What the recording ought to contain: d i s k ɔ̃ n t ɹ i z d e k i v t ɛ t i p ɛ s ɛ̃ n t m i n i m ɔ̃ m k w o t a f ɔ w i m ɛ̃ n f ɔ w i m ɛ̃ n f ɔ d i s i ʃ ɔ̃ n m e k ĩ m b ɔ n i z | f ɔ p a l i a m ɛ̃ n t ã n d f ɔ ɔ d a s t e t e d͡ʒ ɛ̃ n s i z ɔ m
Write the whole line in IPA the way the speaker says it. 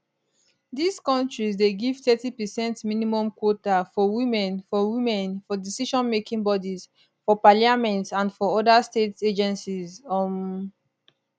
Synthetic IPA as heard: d i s k ɔ̃ n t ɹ i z d e ɡ i v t ɛ t i p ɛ s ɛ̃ n t m i n i m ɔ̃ m k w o t a f ɔ w i m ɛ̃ n f ɔ w i m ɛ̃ n f ɔ d i s i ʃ ɔ̃ n m e k ĩ ŋ b ɔ d i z | f ɔ p a l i a m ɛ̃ n t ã n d f ɔ ɔ d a s t e t e d͡ʒ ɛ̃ n s i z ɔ m